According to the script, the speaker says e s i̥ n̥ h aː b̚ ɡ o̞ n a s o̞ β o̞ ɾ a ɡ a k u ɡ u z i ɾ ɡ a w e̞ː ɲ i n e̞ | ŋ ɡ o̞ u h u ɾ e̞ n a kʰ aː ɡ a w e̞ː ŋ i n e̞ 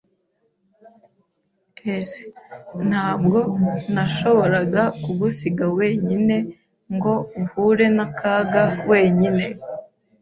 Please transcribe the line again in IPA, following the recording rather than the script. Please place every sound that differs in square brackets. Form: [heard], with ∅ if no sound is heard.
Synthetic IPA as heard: e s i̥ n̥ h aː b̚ ɡ o̞ n a [ʃ] o̞ β o̞ ɾ a ɡ a k u ɡ u [s] i [∅] ɡ a w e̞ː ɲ i n e̞ | ŋ ɡ o̞ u h u ɾ e̞ n a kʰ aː ɡ a w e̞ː [ɲ] i n e̞